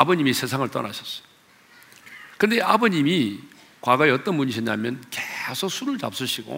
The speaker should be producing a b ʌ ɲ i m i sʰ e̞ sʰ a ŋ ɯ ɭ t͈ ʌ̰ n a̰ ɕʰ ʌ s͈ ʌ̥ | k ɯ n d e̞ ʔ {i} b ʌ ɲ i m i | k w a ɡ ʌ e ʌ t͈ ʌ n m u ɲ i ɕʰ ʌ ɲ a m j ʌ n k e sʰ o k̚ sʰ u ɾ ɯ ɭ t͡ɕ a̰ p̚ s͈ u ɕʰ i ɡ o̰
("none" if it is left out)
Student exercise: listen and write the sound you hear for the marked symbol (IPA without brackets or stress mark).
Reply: a